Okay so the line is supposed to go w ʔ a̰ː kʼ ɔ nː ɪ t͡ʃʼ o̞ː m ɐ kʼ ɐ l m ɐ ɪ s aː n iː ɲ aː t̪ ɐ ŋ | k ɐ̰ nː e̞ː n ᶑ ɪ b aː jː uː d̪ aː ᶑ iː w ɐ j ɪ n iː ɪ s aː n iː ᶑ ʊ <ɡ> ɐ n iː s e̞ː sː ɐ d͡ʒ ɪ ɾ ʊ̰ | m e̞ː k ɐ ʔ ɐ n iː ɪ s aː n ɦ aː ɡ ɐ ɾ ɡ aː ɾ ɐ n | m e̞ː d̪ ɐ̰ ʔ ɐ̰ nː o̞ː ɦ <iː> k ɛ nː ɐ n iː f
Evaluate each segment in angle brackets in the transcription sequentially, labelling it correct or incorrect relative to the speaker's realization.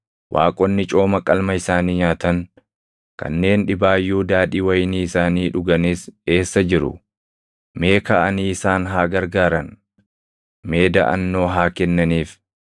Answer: correct, incorrect: aː

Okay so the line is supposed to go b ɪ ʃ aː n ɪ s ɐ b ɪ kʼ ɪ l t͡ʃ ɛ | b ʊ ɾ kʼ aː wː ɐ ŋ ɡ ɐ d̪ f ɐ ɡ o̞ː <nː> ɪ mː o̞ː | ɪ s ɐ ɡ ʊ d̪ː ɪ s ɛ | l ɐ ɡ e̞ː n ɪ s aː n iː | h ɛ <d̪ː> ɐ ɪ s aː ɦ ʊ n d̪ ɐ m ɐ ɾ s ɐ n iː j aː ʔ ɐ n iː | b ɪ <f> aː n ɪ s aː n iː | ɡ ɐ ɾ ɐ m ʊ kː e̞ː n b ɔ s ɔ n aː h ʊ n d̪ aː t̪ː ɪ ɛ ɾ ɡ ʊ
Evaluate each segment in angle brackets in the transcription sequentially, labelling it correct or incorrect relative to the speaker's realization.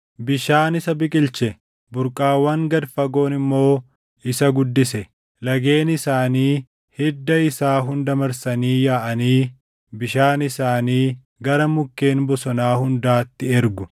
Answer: incorrect: n, correct, incorrect: ʃ

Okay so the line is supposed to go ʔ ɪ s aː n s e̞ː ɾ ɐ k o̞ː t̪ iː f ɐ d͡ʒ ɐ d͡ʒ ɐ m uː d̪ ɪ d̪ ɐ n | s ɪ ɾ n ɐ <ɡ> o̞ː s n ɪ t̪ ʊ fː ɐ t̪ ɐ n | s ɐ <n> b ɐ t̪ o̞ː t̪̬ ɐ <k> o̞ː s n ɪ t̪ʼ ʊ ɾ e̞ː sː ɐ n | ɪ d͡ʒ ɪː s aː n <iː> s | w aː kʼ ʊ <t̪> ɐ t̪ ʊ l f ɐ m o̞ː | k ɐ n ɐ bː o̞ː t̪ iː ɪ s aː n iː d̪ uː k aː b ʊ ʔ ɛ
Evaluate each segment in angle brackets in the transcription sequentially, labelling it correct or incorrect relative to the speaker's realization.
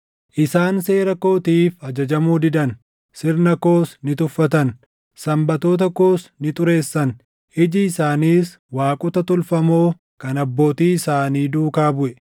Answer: incorrect: k, incorrect: m, correct, correct, correct

